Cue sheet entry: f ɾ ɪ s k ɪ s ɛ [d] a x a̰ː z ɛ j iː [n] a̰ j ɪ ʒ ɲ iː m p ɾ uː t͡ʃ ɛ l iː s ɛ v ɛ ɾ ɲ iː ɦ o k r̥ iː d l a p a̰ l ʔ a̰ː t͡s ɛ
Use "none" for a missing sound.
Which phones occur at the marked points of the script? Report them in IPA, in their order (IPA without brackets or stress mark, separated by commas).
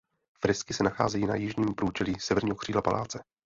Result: n, n